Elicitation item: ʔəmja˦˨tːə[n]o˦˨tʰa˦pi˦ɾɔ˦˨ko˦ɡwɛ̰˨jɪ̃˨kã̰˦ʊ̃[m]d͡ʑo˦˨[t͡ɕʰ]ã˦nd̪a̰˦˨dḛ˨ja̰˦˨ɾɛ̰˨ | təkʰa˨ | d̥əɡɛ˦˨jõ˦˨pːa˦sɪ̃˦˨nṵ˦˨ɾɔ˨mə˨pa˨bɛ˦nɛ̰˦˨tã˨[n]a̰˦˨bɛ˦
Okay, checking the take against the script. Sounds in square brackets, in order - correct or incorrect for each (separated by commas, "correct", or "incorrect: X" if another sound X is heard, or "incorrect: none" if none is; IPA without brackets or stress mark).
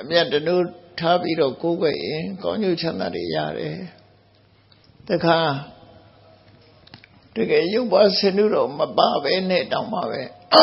correct, incorrect: ɲ, correct, incorrect: m